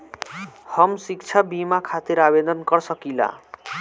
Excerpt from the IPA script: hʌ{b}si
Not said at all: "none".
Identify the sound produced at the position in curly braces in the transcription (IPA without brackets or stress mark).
m